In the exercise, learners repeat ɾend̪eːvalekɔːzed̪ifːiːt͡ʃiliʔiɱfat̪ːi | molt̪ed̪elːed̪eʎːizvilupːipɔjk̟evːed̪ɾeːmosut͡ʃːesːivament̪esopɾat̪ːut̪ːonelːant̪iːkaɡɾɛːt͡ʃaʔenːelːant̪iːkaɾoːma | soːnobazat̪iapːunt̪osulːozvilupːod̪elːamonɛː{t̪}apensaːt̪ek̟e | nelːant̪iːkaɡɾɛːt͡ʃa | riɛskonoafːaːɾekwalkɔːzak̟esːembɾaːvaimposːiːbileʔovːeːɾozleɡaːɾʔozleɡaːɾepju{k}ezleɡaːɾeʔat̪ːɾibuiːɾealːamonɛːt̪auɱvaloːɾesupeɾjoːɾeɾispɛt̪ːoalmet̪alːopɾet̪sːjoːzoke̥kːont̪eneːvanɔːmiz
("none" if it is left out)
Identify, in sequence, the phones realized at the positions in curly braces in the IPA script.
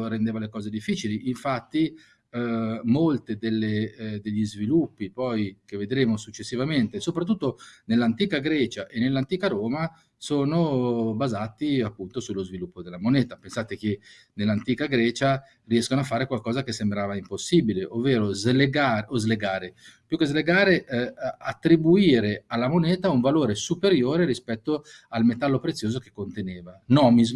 t̪, k

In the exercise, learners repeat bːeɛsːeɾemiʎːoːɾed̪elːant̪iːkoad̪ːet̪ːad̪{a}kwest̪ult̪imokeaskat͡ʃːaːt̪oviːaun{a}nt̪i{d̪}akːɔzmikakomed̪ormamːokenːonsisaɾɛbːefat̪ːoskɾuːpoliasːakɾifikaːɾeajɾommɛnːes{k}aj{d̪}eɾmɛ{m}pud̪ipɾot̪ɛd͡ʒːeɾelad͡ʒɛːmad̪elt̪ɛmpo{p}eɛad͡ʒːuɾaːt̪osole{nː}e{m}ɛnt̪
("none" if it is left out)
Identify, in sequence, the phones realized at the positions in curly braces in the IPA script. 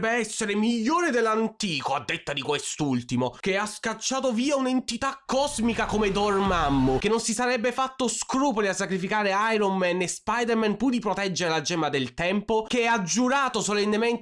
i, e, t̪, p, d̪, n, k, nː, m

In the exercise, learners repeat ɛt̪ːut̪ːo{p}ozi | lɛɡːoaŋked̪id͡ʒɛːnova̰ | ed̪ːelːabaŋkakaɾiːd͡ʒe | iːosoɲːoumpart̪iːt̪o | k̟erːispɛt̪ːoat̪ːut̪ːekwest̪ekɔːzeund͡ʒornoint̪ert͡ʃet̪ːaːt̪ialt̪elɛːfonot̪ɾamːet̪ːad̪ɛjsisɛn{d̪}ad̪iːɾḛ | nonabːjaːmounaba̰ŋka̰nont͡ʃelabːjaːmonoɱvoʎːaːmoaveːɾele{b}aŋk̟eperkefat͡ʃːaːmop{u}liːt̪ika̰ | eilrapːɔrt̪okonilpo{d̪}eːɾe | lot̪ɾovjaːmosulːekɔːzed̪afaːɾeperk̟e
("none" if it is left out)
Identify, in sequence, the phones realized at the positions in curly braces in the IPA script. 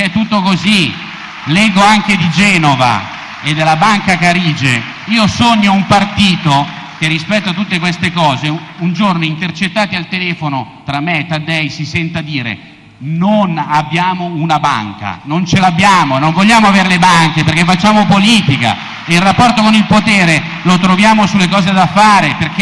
k, t̪, b, o, t̪

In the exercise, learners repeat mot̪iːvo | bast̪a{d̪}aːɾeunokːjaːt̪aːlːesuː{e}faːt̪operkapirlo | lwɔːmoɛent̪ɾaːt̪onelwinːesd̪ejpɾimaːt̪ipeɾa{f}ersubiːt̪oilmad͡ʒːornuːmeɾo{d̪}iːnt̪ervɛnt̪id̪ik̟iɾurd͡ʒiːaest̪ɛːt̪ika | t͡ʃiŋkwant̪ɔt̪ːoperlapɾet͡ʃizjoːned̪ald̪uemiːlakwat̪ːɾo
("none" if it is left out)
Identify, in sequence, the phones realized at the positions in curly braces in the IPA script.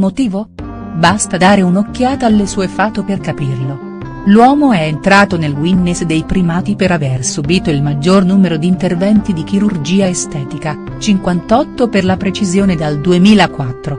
d̪, e, v, d̪

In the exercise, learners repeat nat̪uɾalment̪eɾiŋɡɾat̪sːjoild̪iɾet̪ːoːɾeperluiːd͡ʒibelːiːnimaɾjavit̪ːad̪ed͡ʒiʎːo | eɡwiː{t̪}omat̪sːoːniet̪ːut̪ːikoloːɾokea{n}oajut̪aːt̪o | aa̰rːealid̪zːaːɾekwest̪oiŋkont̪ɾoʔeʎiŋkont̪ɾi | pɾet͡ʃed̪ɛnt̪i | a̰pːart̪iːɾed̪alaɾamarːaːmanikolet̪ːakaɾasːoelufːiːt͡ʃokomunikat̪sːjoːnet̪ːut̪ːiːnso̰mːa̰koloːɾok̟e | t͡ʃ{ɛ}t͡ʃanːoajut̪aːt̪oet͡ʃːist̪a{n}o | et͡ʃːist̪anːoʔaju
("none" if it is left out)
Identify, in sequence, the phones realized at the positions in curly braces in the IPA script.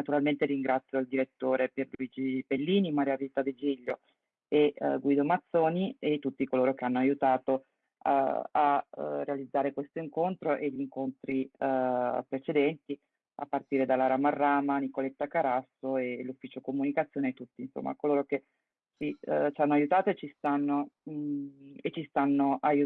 d̪, nː, i, nː

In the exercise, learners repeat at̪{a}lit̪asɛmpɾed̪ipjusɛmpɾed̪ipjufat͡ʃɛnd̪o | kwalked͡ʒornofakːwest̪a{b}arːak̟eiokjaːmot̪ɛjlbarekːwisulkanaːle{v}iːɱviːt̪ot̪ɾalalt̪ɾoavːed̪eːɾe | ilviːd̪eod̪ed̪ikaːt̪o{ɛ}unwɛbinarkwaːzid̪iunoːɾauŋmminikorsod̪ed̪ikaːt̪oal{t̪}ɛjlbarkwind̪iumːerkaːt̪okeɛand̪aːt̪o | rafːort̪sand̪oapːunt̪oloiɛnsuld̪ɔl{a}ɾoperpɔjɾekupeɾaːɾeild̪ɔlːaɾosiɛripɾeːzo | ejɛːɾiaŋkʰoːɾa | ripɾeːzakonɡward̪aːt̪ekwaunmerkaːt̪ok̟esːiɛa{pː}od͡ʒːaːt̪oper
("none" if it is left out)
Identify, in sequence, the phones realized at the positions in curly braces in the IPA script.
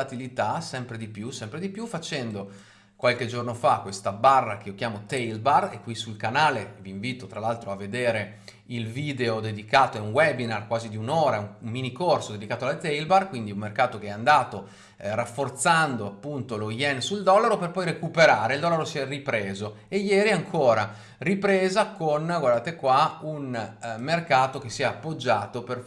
i, b, v, ɛ, t̪, a, pː

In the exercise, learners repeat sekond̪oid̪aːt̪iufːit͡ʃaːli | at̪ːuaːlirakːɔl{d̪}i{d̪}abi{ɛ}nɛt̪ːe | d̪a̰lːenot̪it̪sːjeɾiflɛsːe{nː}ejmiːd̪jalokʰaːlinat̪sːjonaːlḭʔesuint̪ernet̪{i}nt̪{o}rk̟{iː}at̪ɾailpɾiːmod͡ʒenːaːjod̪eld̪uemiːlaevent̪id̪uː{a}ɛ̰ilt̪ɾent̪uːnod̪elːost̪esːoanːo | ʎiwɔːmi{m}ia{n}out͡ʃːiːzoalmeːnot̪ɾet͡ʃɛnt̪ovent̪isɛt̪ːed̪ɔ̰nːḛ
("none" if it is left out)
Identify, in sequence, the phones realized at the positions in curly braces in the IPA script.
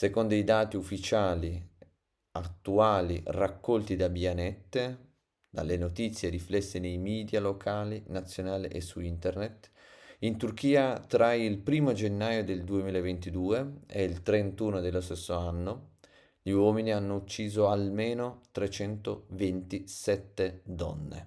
t̪, d̪, a, n, i, u, iː, e, n, nː

